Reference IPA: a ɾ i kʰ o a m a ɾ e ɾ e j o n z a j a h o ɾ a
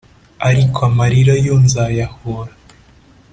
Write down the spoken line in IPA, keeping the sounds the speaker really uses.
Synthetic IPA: a ɾ i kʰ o a m a ɾ i ɾ a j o n z a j a h o ɾ a